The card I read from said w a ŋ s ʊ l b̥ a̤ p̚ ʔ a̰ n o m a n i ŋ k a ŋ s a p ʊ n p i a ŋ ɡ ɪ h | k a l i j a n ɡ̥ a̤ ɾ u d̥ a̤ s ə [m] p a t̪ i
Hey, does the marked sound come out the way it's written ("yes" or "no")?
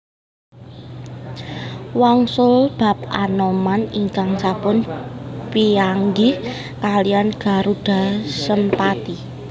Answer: yes